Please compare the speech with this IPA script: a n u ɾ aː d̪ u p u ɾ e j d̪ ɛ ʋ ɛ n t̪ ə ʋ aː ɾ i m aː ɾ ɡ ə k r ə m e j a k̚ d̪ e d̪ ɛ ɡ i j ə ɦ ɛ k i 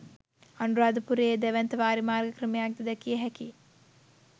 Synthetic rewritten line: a n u ɾ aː d̪ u p u ɾ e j d̪ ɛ ʋ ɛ n t̪ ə ʋ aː ɾ i m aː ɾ ɡ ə k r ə m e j a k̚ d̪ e d̪ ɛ k i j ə ɦ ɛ k i

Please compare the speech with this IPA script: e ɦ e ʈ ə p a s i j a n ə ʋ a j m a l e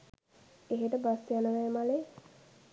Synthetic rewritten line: e ɦ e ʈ ə b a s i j a n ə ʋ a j m a l e

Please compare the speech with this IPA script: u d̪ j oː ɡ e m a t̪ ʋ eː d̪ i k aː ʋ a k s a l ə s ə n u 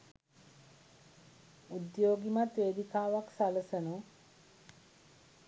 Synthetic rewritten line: u d̪ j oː ɡ i m a t̪ ʋ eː d̪ i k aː ʋ a k s a l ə s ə n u

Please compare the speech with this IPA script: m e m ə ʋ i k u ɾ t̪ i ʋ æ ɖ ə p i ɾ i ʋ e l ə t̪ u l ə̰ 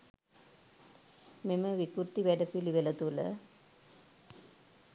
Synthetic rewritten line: m e m ə ʋ i k u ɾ t̪ i ʋ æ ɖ ə p i l i ʋ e l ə t̪ u l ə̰

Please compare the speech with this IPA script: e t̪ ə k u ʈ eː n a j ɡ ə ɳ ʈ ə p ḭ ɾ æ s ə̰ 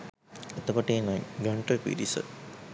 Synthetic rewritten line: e t̪ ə k o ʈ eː n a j ɡ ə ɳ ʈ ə p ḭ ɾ i s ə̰

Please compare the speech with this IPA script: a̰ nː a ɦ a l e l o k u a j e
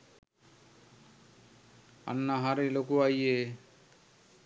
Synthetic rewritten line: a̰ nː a ɦ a ɾ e l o k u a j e

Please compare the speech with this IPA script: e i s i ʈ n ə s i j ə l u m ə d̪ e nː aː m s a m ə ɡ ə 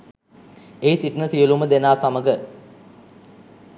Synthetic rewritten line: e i s i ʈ n ə s i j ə l u m ə d̪ e n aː s a m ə ɡ ə

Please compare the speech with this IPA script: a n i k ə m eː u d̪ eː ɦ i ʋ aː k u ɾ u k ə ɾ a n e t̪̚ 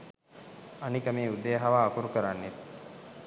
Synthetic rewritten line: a n i k ə m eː u d̪ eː ɦ a ʋ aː k u ɾ u k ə ɾ a nː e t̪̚

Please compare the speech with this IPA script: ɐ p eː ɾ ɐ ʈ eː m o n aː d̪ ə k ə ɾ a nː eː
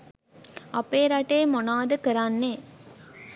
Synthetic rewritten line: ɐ p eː ɾ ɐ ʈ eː m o n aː d̪ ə k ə ɾ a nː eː

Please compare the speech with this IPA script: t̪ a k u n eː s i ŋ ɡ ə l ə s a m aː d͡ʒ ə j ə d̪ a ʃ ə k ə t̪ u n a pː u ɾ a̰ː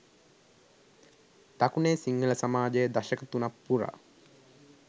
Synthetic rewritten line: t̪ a k u n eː s i ŋ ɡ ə l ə s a m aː d͡ʒ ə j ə d̪ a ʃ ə k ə t̪ u n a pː u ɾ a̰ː

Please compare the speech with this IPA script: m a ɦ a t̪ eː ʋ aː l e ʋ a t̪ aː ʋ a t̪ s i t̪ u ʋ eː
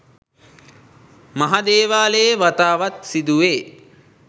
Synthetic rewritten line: m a ɦ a d̪ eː ʋ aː l e ʋ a t̪ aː ʋ a t̪ s i d̪ u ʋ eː

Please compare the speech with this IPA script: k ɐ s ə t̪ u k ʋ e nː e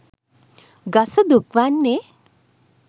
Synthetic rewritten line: ɡ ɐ s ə d̪ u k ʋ a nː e

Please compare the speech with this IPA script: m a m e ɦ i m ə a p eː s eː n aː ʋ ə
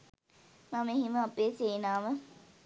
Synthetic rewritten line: m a m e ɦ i m ə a p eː s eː n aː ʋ ə

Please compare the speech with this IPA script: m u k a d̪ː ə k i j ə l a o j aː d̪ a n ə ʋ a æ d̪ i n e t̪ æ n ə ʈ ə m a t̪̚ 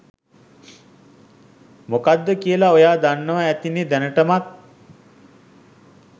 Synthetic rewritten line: m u k a d̪ː ə k i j ə l a o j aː d̪ a nː ə ʋ a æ t̪ i n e d̪ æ n ə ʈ ə m a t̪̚

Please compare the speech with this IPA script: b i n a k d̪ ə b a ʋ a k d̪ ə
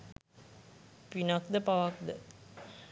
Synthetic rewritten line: p i n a k d̪ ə p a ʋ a k d̪ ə

